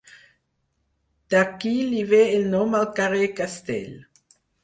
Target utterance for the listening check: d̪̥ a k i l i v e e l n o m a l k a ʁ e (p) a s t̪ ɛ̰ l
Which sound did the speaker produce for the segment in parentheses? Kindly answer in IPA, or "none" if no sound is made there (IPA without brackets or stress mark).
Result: k